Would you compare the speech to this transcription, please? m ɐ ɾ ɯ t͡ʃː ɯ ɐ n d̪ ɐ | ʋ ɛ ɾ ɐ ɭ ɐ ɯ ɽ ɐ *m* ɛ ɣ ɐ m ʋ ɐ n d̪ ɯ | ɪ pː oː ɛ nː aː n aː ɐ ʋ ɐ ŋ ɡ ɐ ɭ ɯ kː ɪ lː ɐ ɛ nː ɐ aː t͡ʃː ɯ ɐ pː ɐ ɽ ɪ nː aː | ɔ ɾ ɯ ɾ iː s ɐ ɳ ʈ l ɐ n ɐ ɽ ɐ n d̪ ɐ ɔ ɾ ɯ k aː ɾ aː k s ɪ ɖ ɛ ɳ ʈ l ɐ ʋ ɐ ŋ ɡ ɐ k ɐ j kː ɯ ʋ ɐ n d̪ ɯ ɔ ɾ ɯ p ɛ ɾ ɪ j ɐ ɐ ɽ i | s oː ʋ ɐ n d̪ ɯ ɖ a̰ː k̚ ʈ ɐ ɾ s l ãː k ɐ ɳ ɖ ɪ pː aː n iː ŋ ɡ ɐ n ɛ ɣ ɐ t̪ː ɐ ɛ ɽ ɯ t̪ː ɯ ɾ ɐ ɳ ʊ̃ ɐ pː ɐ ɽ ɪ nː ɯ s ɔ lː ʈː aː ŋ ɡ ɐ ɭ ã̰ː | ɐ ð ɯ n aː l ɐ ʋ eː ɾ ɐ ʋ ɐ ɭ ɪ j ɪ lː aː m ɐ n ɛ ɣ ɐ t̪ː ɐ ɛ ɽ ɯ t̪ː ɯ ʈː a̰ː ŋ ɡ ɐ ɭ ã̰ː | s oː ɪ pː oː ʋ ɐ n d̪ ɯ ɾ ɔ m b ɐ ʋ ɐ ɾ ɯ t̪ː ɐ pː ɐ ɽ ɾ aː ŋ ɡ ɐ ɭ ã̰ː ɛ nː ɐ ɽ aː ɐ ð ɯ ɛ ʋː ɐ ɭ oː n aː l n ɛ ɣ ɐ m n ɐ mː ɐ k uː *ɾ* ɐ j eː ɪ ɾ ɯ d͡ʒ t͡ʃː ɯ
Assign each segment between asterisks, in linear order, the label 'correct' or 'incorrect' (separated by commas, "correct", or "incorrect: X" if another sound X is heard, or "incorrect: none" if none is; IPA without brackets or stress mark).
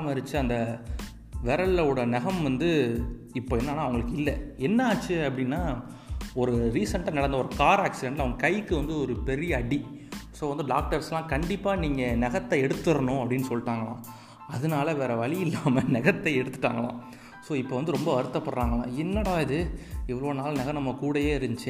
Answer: incorrect: n, incorrect: ɽ